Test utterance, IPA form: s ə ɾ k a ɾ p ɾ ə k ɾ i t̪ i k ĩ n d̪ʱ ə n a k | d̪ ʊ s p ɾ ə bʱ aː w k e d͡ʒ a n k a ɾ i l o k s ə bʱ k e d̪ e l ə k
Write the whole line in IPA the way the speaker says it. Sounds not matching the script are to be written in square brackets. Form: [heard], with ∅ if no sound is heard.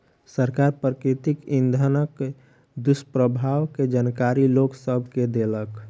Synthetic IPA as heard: s ə ɾ k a ɾ p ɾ ə k ɾ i t̪ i k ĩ n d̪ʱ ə n [ə] k | d̪ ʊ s p ɾ ə bʱ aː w k e d͡ʒ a n k a ɾ i l o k s ə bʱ k e d̪ e l ə k

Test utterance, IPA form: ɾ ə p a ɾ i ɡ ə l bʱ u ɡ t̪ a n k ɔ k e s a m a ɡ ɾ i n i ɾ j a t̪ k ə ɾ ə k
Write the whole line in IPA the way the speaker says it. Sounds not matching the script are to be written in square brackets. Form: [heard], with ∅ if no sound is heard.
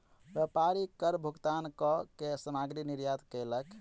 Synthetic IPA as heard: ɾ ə p a ɾ i [k] ə [ɾ] bʱ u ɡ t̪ a n k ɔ k e s [ə] m a ɡ ɾ i n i ɾ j a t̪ k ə [l] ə k

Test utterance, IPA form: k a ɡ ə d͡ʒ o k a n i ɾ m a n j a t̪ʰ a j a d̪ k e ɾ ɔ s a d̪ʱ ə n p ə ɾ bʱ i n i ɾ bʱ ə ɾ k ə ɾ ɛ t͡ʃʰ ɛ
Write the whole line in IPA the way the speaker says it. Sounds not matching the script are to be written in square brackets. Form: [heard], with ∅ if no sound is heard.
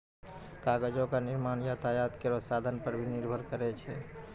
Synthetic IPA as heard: k a ɡ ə d͡ʒ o k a n i ɾ m a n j a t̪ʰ a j a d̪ k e ɾ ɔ s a d̪ʱ ə n p ə ɾ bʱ i n i ɾ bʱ ə ɾ k ə ɾ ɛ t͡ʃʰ ɛ

